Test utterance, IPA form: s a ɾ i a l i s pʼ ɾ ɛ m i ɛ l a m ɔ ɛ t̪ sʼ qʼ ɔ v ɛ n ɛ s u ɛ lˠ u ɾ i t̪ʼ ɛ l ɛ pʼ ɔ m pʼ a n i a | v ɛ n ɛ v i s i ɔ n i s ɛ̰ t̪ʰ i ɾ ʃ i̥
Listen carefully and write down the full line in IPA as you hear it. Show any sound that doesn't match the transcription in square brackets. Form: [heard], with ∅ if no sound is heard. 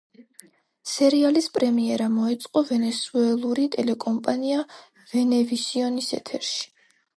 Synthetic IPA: s [ɛ] ɾ i a l i s pʼ ɾ ɛ m i ɛ [ɾ] a m ɔ ɛ t̪ sʼ qʼ ɔ v ɛ n ɛ s u ɛ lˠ u ɾ i t̪ʼ ɛ l ɛ [kʼ] ɔ m pʼ a n i a | v ɛ n ɛ v i s i ɔ n i s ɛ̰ t̪ʰ [ɛ] ɾ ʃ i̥